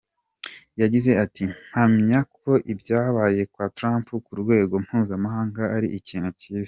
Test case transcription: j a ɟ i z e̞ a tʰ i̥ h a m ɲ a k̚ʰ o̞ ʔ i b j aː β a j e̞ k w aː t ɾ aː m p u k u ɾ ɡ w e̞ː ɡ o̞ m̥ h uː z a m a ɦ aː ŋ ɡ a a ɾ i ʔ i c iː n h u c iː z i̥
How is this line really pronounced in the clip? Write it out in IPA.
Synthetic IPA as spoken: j a ɟ i z e̞ a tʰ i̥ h a m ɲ a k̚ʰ o̞ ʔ i b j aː β a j e̞ k w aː t ɾ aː m p u k u ɾ ɡ w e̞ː ɡ o̞ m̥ h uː z a m a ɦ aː ŋ ɡ a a ɾ i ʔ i c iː n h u c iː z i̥

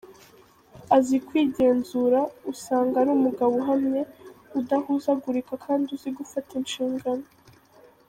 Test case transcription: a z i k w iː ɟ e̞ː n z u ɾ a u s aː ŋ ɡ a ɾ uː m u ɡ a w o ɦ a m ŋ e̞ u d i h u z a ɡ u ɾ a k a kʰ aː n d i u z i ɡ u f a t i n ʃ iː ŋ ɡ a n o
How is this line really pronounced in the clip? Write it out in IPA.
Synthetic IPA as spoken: a z i k w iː ɟ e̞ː n z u ɾ a u s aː ŋ ɡ a ɾ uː m u ɡ a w o ɦ a m ɲ e̞ u d a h u z a ɡ u ɾ i k a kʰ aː n d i u z i ɡ u f a t i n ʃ iː ŋ ɡ a n o

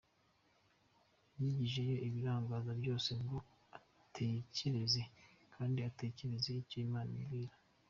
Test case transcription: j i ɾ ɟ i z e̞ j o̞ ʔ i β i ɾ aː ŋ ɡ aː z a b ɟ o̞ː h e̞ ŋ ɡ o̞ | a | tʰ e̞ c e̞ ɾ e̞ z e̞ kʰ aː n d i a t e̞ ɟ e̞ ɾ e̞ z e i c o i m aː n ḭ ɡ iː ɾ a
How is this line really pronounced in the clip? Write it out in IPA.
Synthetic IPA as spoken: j i ɟ i ʒ e̞ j o̞ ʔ i β i ɾ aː ŋ ɡ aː z a b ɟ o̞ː s e̞ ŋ ɡ o̞ | a | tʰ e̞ c e̞ ɾ e̞ z e̞ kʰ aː n d i a t e̞ c e̞ ɾ e̞ z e i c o i m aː n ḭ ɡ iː ɾ a

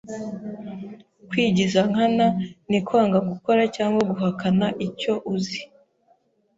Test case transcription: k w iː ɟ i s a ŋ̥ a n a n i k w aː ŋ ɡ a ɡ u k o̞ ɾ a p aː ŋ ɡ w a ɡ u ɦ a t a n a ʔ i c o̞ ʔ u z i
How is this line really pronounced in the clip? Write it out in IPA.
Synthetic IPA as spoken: k w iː ɟ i z a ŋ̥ a n a n i k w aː ŋ ɡ a ɡ u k o̞ ɾ a c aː ŋ ɡ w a ɡ u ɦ a k a n a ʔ i c o̞ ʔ u z i

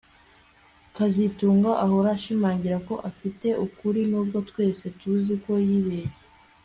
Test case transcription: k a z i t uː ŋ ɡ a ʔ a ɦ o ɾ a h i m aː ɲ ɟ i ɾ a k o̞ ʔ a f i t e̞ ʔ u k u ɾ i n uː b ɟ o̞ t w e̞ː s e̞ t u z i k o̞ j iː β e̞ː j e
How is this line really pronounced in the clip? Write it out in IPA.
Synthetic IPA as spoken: k a z i t uː ŋ ɡ a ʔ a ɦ o ɾ a ʃ i m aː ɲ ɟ i ɾ a k o̞ ʔ a f i t e̞ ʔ u k u ɾ i n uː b ɡ o̞ t w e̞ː s e̞ t u z i k o̞ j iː β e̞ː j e

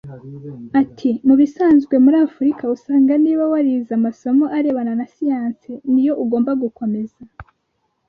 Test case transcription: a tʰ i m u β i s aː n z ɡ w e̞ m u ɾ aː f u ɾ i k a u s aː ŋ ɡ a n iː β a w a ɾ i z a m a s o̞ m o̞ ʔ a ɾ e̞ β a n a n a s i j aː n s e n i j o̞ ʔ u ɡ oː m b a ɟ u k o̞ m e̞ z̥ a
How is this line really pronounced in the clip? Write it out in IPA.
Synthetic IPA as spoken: a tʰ i m u β i s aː n z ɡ w e̞ m u ɾ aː f u ɾ i k a u s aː ŋ ɡ a n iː β a w a ɾ i z a m a s o̞ m o̞ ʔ a ɾ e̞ β a n a n a s i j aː n s e n i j o̞ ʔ u ɡ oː m b a ɡ u k o̞ m e̞ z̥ a

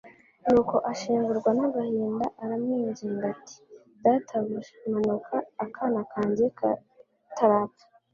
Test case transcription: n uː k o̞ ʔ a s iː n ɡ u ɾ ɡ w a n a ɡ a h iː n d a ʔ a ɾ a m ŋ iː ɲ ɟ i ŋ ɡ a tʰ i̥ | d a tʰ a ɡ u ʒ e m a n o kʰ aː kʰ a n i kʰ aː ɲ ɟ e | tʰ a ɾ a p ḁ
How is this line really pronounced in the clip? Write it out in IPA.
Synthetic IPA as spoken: n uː k o̞ ʔ a ʃ iː ŋ ɡ u ɾ ɡ w a n a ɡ a h iː n d a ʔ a ɾ a m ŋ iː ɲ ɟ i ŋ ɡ a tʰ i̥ | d a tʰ a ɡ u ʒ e m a n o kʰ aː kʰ a n a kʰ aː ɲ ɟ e | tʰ a ɾ a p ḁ

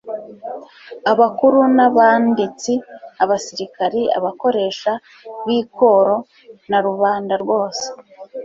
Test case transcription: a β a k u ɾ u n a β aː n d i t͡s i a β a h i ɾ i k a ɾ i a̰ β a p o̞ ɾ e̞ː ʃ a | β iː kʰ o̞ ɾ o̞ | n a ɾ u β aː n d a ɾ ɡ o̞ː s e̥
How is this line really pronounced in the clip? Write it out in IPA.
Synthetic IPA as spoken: a β a k u ɾ u n a β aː n d i t͡s i a β a s i ɾ i k a ɾ i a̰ β a k o̞ ɾ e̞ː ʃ a | β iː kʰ o̞ ɾ o̞ | n a ɾ u β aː n d a ɾ ɡ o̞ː s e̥

